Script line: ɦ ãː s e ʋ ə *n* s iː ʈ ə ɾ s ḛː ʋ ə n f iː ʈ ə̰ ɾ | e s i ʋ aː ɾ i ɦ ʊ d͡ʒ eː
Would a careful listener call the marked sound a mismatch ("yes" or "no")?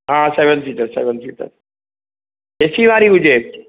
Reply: no